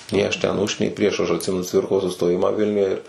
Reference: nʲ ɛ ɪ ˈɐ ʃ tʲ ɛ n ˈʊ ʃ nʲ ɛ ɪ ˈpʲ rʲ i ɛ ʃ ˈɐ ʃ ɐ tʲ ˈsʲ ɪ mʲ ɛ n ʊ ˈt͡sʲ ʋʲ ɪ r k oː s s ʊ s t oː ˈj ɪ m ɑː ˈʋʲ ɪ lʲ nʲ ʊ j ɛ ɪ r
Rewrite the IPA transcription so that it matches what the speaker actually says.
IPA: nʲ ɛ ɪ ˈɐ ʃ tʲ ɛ n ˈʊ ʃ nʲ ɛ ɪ ˈpʲ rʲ i ɛ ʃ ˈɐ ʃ ɐ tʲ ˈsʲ ɪ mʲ ɛ n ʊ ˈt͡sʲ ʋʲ ɪ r k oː s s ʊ s t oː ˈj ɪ m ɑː ˈʋʲ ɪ lʲ nʲ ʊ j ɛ ɪ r